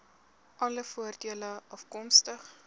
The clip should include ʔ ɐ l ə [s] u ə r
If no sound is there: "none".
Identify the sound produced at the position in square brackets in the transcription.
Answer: f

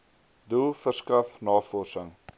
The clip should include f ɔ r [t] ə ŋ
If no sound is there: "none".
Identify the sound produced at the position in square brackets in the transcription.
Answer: s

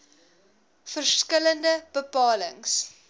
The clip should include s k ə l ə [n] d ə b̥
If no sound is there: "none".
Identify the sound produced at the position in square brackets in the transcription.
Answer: n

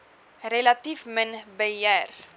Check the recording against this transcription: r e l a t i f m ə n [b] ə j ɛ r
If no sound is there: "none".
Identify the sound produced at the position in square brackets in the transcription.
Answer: b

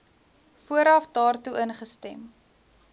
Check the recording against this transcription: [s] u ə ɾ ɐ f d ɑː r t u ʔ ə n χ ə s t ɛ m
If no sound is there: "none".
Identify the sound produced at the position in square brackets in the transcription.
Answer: f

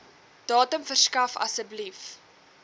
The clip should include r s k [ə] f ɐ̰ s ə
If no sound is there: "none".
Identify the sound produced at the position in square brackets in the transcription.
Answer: ɐ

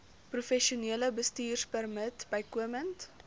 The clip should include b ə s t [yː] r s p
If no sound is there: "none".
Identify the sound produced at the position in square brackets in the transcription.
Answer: iː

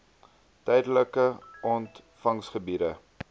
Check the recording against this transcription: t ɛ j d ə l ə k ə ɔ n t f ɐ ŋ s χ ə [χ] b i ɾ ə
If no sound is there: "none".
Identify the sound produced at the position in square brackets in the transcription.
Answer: none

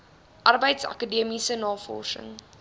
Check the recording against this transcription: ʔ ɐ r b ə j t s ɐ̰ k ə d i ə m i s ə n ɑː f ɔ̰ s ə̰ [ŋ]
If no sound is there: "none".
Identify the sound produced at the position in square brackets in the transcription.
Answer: ŋ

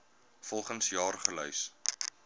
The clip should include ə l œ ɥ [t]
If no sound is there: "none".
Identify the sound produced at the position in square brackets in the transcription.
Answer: s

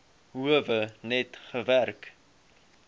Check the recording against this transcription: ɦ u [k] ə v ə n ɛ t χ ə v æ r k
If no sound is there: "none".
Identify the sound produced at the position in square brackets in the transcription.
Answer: none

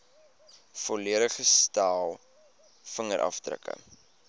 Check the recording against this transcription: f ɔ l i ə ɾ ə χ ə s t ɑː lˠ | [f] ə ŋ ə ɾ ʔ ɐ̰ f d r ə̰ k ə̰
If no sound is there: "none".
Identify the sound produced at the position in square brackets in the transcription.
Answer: f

